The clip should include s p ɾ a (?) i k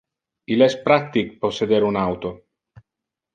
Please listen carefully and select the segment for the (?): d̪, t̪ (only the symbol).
t̪